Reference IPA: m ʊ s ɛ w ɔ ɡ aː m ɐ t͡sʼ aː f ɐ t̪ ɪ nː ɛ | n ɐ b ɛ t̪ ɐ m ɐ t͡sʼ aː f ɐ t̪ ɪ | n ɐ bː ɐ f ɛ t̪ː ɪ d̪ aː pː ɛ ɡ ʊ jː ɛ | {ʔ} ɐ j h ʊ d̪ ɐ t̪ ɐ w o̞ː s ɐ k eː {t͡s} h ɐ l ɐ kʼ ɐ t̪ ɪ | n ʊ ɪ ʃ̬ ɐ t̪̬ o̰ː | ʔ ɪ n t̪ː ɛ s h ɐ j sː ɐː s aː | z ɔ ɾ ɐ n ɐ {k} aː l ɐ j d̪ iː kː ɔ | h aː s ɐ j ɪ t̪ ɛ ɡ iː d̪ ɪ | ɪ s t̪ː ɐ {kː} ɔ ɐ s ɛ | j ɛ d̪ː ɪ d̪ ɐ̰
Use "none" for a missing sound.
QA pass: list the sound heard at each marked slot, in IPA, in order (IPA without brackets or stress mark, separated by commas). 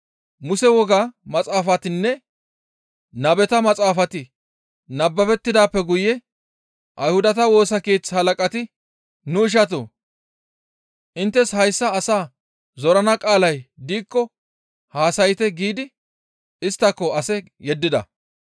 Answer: ʔ, t͡s, kʼ, kː